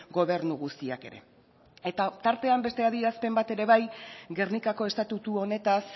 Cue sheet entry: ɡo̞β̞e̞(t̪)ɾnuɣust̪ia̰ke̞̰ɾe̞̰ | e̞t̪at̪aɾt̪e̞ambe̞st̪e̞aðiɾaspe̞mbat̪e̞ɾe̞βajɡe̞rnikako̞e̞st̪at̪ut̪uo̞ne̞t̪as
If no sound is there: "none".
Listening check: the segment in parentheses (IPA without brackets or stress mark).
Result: none